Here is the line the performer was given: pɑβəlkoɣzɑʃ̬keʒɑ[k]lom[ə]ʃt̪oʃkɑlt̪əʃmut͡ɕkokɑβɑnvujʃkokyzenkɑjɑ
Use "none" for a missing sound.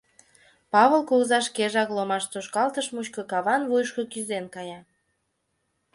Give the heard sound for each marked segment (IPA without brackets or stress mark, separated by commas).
k, ɑ